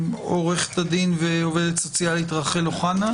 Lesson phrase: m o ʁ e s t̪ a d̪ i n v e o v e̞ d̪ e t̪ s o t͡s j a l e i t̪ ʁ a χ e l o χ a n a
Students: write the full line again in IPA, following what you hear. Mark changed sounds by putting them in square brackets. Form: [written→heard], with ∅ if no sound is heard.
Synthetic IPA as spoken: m o ʁ e [s→χ] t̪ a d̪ i n v e o v e̞ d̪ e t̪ s o t͡s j a l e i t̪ ʁ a χ e l o χ a n a